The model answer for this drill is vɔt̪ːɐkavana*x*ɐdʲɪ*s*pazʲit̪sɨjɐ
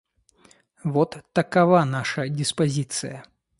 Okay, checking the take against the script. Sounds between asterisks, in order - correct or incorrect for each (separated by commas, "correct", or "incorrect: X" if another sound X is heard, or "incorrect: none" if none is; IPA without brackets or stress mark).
incorrect: ʂ, correct